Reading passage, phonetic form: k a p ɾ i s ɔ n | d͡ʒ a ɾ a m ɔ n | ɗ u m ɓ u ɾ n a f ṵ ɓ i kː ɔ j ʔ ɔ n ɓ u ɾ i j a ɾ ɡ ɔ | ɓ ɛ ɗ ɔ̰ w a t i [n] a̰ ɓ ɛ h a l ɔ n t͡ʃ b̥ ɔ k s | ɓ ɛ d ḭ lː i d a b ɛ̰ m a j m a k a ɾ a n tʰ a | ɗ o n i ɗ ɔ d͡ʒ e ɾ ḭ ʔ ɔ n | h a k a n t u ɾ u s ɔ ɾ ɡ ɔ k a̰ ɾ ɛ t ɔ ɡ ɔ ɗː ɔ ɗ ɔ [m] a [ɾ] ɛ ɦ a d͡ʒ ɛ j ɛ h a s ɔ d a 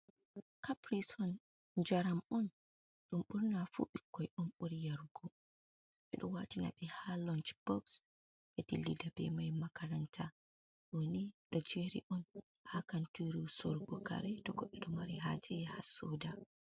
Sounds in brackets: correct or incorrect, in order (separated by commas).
correct, correct, correct